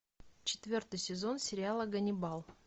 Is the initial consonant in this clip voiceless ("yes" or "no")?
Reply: yes